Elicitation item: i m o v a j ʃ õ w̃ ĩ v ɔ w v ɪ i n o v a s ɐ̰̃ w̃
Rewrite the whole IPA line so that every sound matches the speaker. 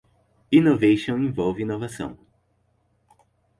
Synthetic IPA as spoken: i n o v e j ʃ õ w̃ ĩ v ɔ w v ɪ i n o v a s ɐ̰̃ w̃